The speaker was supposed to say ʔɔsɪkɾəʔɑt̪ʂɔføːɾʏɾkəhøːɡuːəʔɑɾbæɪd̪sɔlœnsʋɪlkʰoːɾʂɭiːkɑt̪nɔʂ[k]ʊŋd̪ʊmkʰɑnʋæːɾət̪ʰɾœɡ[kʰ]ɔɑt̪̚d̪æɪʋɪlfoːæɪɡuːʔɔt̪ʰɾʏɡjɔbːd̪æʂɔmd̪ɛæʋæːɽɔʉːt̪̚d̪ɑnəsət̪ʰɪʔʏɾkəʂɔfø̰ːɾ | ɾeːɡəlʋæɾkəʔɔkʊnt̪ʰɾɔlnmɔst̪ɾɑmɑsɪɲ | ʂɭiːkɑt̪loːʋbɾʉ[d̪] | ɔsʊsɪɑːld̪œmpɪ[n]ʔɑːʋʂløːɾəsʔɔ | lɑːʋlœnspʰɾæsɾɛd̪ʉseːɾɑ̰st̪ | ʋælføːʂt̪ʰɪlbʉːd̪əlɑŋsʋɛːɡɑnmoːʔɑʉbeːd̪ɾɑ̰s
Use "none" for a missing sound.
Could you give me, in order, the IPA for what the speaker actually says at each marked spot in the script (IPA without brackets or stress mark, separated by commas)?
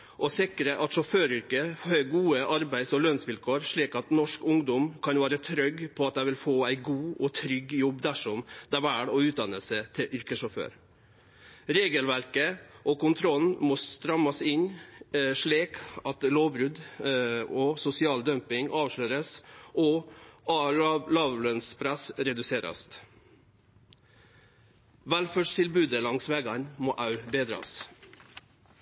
k, pʰ, d̪, ŋ